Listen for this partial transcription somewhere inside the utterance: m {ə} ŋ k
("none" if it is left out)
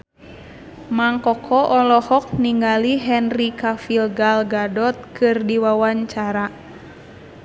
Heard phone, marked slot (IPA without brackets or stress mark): a